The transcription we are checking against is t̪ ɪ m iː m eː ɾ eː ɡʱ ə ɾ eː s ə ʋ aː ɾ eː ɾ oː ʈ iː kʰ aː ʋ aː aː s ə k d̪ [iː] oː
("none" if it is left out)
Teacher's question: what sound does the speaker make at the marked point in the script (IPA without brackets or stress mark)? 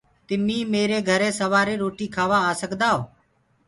aː